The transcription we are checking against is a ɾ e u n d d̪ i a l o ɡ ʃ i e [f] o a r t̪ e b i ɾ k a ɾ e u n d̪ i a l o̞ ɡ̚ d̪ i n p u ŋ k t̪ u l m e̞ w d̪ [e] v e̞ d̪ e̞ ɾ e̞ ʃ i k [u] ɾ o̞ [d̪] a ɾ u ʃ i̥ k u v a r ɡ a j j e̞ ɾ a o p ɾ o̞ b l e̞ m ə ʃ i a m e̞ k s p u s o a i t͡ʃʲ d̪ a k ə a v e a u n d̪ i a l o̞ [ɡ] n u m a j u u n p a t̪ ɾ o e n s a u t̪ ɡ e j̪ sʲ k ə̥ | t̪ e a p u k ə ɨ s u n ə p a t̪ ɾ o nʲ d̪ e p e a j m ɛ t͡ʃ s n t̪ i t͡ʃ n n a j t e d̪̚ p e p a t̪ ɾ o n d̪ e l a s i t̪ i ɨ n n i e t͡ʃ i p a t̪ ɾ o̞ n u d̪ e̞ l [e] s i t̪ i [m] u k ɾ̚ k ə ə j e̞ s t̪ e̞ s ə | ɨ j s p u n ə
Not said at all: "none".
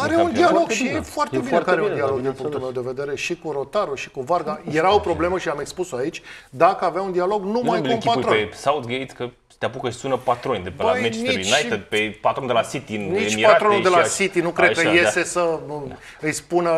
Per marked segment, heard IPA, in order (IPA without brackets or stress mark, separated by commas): f, e, u, t̪, ɡ, a, n